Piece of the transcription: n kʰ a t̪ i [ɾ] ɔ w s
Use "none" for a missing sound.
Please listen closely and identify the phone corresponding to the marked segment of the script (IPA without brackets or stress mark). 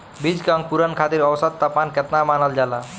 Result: ɾ